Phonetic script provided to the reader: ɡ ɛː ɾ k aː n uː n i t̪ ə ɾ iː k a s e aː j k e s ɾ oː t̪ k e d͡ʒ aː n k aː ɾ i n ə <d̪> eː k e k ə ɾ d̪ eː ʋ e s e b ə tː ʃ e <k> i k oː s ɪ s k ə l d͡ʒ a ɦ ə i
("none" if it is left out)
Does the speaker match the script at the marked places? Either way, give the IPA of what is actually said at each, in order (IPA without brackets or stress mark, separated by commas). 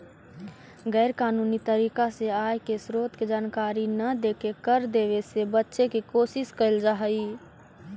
d̪, k